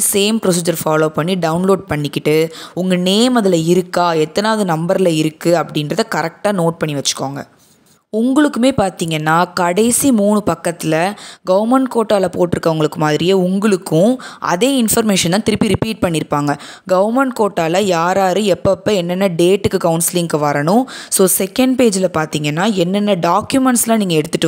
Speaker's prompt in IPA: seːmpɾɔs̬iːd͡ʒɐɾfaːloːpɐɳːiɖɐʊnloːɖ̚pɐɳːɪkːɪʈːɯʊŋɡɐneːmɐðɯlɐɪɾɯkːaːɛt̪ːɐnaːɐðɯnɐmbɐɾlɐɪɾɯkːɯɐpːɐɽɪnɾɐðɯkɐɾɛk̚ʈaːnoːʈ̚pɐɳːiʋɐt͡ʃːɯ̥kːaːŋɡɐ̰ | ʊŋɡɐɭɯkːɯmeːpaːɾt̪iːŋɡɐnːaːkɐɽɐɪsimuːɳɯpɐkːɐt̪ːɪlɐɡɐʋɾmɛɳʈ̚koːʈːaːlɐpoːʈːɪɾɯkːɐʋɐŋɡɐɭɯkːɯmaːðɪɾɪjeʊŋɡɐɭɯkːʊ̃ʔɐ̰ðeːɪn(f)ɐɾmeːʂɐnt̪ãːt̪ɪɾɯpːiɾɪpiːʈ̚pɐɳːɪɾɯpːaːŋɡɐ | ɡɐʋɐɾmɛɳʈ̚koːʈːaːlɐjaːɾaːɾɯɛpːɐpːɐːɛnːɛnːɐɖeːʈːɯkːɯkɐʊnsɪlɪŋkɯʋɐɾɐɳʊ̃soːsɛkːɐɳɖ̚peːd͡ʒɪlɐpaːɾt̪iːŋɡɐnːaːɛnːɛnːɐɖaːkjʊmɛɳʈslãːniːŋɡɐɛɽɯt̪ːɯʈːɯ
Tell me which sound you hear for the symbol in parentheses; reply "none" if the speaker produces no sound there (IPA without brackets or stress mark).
f